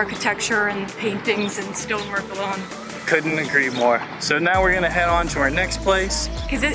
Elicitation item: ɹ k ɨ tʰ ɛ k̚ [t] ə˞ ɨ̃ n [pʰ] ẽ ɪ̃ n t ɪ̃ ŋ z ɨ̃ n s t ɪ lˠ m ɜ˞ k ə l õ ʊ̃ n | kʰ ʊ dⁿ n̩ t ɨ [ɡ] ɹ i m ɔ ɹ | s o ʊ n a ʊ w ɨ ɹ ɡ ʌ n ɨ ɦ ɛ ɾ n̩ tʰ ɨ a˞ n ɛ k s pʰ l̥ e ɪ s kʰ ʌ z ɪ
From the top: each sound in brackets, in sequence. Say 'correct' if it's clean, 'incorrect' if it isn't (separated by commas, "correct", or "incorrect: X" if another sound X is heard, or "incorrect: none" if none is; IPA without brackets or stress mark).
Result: incorrect: t͡ʃ, correct, correct